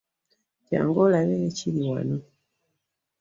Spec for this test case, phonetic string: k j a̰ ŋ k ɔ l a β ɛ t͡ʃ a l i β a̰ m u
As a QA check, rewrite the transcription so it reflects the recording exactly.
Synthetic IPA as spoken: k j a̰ ŋ ɡ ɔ l a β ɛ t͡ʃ i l i w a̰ n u